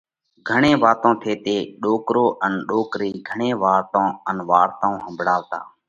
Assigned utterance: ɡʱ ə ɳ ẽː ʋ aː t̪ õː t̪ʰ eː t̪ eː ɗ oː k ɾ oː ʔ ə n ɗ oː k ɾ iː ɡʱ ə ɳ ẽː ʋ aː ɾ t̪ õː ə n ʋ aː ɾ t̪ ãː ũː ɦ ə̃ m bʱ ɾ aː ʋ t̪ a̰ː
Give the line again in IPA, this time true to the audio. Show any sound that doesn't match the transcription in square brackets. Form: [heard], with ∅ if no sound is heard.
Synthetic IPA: ɡʱ ə ɳ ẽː ʋ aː t̪ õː t̪ʰ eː t̪ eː ɗ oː k ɾ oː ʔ ə n ɗ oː k ɾ iː ɡʱ ə ɳ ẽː ʋ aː ɾ t̪ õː ə n ʋ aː ɾ t̪ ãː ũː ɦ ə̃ m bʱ [ɽ] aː ʋ t̪ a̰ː

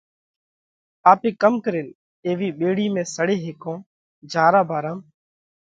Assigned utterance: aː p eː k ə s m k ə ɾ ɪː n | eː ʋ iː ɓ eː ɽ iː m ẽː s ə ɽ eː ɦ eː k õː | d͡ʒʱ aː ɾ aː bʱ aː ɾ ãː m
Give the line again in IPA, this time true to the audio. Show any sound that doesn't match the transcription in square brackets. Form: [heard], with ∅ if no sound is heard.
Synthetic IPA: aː p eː k ə [∅] m k ə ɾ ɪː n | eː ʋ iː ɓ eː ɽ iː m ẽː s ə ɽ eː ɦ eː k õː | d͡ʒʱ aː ɾ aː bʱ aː ɾ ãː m

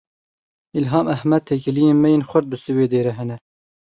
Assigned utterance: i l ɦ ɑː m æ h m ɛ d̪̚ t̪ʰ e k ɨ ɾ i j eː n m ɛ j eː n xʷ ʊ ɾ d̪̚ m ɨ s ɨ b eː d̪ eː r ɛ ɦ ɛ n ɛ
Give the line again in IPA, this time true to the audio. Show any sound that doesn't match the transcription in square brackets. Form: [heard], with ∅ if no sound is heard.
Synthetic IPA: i l ɦ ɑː m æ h m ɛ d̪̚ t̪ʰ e k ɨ [l] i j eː n m ɛ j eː n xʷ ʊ ɾ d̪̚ [b] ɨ s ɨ [w] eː d̪ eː [ɾ] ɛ ɦ ɛ n ɛ

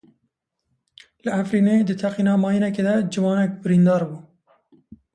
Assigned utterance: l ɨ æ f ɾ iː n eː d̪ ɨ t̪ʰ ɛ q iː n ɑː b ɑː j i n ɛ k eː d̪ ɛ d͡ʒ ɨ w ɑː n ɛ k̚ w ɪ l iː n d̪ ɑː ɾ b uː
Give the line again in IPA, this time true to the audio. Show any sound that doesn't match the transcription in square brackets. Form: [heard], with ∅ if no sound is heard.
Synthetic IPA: l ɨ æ f ɾ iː n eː d̪ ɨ t̪ʰ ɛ q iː n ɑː [m] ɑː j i n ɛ k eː d̪ ɛ d͡ʒ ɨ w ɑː n ɛ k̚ [b] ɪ [ɾ] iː n d̪ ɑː ɾ b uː

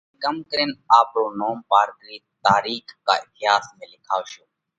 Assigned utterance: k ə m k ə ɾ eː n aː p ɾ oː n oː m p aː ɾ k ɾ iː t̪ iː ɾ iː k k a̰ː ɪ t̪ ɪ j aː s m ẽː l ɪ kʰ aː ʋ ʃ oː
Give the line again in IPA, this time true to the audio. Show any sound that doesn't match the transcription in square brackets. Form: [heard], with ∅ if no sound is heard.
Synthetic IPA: k ə m k ə ɾ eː n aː p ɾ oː n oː m p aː ɾ k ɾ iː t̪ [aː] ɾ iː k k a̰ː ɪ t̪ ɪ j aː s m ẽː l ɪ kʰ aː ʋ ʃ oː

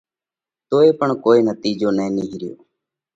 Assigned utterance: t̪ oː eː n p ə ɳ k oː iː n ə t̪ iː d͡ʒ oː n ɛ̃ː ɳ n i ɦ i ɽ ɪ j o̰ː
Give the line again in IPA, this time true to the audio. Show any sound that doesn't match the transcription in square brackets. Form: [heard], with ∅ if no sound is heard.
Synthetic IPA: t̪ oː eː [∅] p ə ɳ k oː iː n ə t̪ iː d͡ʒ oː n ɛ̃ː [∅] n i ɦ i [ɾ] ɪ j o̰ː

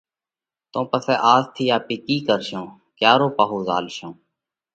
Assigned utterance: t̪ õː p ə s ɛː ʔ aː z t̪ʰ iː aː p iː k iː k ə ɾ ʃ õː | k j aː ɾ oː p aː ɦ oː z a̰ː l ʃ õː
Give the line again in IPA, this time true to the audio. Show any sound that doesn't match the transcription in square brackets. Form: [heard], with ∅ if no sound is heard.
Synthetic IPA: t̪ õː p ə s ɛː ʔ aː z t̪ʰ iː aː p iː k iː k ə ɾ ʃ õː | k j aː ɾ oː p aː ɦ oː z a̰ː l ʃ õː

